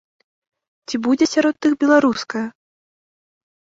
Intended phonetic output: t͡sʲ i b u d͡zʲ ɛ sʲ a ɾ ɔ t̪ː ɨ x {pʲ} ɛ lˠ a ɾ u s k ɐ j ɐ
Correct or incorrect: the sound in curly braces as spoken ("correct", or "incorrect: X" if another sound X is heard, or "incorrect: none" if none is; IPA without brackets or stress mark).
incorrect: bʲ